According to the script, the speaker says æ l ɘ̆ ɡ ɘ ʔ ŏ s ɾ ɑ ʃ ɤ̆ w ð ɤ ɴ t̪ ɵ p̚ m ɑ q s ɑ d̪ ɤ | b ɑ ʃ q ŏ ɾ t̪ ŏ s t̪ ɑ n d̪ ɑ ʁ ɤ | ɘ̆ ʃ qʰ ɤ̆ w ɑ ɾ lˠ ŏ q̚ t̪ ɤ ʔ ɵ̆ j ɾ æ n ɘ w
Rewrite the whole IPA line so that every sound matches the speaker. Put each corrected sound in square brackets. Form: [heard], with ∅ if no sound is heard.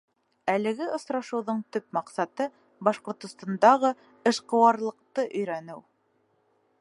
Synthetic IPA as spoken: æ l ɘ̆ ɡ ɘ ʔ ŏ s ɾ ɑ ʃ ɤ̆ w ð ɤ ɴ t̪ ɵ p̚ m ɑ q s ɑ [t̪] ɤ | b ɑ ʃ q ŏ ɾ t̪ ŏ s t̪ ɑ n d̪ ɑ ʁ ɤ | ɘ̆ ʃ [q] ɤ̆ w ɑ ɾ lˠ [ɤ̆] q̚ t̪ ɤ ʔ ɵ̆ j ɾ æ n ɘ w

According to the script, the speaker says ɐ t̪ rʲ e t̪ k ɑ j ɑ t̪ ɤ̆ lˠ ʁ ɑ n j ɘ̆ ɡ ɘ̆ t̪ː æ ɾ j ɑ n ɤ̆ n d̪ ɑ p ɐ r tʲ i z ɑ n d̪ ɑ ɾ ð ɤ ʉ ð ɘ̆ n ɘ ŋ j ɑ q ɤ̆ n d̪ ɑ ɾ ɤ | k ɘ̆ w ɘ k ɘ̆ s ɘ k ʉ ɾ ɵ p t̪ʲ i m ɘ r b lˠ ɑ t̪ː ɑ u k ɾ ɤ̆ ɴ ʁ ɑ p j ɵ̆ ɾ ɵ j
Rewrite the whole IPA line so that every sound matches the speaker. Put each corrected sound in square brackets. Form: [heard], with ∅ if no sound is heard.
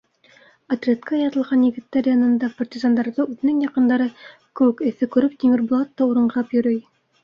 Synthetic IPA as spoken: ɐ t̪ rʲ e t̪ k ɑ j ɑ t̪ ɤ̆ lˠ ʁ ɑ n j ɘ̆ ɡ ɘ̆ t̪ː æ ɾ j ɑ n ɤ̆ n d̪ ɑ p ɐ r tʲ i z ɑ n d̪ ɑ ɾ ð ɤ ʉ ð ɘ̆ n ɘ ŋ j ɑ q ɤ̆ n d̪ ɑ ɾ ɤ | k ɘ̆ w ɘ k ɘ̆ [θ] ɘ k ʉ ɾ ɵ p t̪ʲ i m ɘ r b lˠ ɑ t̪ː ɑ u [∅] ɾ ɤ̆ ɴ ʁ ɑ p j ɵ̆ ɾ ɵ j

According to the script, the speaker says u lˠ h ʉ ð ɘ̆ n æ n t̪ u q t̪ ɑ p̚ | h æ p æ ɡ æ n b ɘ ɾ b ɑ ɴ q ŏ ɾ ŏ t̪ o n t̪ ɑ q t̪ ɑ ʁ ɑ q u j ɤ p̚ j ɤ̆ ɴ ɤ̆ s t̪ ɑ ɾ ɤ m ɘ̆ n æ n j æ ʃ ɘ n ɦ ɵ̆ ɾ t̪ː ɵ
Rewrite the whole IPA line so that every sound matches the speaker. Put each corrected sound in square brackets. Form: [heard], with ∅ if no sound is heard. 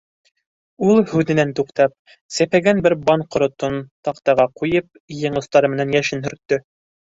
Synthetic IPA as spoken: u lˠ h ʉ ð ɘ̆ n æ n t̪ u q t̪ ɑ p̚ | [s] æ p æ ɡ æ n b ɘ ɾ b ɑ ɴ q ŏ ɾ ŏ t̪ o n t̪ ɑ q t̪ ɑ ʁ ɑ q u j ɤ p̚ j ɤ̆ ɴ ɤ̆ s t̪ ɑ ɾ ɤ m ɘ̆ n æ n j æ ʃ ɘ n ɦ ɵ̆ ɾ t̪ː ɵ

